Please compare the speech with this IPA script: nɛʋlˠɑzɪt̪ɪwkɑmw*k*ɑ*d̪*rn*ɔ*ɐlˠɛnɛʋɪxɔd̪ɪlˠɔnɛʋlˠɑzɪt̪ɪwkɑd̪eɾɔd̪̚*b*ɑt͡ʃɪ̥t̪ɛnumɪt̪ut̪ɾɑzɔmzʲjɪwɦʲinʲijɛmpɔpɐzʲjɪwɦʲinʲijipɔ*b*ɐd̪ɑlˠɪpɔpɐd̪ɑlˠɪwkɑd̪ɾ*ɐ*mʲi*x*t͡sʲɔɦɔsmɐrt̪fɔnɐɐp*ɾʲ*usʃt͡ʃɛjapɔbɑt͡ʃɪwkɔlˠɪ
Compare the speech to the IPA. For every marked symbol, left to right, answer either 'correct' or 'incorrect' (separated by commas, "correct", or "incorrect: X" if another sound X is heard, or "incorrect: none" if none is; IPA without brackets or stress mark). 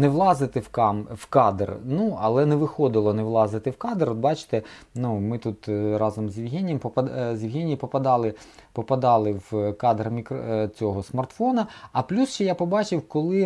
correct, correct, incorrect: u, correct, incorrect: p, correct, incorrect: k, incorrect: lʲ